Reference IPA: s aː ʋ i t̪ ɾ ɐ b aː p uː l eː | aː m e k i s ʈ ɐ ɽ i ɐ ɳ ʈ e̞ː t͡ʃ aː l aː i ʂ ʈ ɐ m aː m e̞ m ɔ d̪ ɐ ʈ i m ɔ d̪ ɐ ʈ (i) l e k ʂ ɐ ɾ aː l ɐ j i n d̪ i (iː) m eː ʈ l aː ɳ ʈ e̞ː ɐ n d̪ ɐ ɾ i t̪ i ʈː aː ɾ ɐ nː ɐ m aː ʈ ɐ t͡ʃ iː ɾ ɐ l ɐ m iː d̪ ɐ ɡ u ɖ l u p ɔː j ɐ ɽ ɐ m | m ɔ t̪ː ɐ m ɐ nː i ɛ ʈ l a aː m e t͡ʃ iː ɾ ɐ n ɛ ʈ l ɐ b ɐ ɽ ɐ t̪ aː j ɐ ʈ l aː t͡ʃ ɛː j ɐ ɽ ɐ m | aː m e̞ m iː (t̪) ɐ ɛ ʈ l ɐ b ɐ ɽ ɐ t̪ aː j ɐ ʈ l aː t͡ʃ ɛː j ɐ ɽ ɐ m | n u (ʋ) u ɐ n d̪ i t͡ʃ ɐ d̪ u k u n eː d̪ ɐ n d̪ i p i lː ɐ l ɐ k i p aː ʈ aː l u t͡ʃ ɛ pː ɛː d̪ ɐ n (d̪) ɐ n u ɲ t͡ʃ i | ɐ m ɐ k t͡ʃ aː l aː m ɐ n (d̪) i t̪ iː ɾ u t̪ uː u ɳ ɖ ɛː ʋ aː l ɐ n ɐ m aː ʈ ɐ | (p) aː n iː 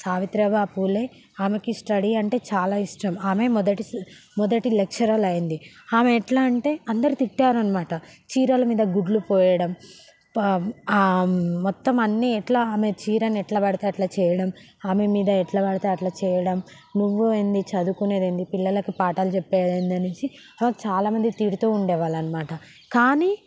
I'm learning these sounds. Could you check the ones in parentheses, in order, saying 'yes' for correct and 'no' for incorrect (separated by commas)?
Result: yes, no, no, no, yes, yes, no